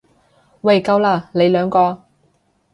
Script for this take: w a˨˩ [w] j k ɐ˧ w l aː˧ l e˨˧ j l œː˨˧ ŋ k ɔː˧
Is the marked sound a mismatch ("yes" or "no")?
yes